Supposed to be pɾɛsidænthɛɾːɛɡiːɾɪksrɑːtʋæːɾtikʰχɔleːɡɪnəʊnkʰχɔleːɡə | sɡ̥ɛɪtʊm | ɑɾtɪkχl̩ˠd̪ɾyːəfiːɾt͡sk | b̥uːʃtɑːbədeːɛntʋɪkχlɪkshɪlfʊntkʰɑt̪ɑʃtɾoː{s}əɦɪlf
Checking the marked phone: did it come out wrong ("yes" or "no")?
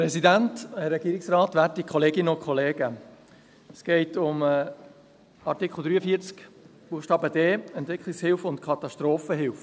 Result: yes